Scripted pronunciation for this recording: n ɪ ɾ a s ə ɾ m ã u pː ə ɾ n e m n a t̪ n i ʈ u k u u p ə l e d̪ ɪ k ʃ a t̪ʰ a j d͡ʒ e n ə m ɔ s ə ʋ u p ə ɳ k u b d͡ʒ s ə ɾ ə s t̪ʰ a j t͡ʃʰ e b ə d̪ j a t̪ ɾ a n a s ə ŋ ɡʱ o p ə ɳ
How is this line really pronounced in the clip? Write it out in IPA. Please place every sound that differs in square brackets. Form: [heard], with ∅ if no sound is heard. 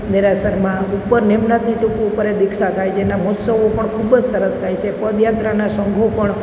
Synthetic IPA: n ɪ ɾ a s ə ɾ m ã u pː ə ɾ n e m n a t̪ n i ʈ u k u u p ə [ɾ] e d̪ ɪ k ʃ a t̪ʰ a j d͡ʒ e n [a] m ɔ s ə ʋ [o] p ə ɳ [kʰ] u b d͡ʒ s ə ɾ ə s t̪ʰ a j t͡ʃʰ e [p] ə d̪ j a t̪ ɾ a n a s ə ŋ ɡʱ o p ə ɳ